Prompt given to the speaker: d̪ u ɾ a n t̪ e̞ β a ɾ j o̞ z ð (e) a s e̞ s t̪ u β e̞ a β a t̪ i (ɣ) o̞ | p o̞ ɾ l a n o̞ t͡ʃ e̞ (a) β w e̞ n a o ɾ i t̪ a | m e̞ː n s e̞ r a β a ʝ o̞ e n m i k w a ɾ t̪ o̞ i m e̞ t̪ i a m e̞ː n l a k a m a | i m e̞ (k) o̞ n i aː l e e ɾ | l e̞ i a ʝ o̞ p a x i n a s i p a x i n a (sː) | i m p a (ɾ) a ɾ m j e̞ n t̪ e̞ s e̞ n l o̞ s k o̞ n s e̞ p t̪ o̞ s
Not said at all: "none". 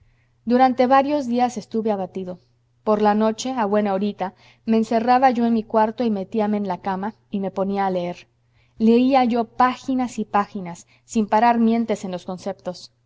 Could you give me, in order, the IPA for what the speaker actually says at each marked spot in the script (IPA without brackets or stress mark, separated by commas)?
i, ð, a, p, sː, ɾ